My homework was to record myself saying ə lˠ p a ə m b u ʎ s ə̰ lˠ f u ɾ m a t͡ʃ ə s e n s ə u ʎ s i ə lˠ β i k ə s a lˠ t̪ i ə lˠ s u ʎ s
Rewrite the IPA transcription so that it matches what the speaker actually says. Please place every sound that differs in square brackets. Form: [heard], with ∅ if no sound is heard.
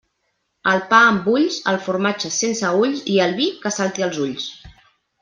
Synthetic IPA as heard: ə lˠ p a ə m b u ʎ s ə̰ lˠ f u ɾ m a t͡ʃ ə s e n s ə u ʎ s i ə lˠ β i k ə s a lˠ t̪ i ə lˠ [z] u ʎ s